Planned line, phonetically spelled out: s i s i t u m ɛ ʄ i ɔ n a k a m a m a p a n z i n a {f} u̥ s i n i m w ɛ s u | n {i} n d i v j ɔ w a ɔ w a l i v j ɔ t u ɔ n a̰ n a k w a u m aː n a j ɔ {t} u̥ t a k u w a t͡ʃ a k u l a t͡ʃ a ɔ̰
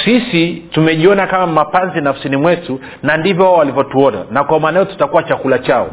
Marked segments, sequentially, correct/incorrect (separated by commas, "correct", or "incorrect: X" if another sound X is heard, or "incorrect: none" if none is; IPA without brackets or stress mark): correct, incorrect: a, correct